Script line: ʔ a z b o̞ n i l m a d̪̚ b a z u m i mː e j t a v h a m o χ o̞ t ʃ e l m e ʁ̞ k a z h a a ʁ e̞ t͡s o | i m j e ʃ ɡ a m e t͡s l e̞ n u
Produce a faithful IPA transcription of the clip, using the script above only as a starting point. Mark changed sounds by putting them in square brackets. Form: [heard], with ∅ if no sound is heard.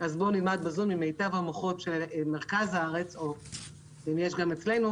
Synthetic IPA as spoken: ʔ a z b o̞ n i l m a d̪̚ b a z u m i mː e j t a v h a m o χ o̞ t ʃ e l m e ʁ̞ k a z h a a ʁ e̞ t͡s o | i m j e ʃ ɡ a m e t͡s l e̞ n u